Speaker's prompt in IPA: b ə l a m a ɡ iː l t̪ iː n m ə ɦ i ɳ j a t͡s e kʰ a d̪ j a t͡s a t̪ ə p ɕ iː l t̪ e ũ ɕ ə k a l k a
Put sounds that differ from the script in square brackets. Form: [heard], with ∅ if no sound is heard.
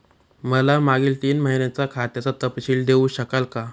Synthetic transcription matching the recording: [m] ə l a m a ɡ iː l t̪ iː n m ə ɦ i [n] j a t͡s [a] kʰ a [t̪] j a t͡s a t̪ ə p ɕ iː l [d̪] e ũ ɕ ə k a l k a